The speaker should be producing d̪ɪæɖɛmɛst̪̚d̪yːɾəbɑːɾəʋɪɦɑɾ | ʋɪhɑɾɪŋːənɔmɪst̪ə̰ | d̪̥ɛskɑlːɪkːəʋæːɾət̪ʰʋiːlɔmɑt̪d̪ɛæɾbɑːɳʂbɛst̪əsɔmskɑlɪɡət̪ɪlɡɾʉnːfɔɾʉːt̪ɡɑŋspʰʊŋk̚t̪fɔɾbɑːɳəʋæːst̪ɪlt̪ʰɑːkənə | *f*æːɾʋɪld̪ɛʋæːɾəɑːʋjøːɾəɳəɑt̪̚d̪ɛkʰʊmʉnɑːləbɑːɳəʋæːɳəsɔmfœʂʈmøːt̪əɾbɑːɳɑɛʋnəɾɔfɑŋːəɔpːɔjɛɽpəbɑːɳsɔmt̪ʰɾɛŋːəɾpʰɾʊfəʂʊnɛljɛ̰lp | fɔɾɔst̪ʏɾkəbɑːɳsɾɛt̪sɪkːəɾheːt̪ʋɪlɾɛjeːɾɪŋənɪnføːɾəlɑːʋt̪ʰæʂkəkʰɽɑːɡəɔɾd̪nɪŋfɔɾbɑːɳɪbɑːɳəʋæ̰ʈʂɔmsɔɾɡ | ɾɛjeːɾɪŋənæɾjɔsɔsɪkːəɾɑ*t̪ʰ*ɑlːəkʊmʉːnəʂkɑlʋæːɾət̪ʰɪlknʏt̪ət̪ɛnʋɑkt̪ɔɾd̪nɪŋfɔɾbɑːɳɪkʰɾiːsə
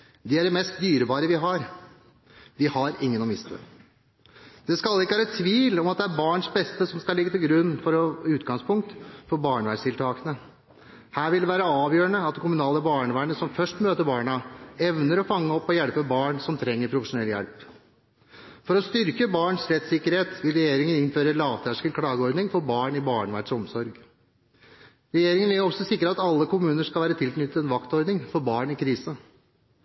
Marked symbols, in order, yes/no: no, no

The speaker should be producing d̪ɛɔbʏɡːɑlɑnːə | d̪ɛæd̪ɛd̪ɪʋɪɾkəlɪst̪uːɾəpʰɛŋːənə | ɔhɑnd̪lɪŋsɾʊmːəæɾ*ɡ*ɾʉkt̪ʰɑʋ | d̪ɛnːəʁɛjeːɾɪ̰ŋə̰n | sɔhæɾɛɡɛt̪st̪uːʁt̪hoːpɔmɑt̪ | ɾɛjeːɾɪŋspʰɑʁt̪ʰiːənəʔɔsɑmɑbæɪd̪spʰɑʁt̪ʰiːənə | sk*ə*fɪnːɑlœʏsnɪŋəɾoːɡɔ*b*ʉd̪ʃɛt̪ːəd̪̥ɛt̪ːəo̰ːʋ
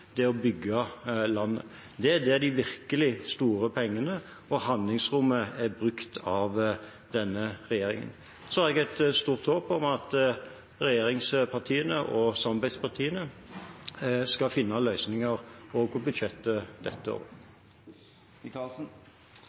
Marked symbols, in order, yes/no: no, no, yes

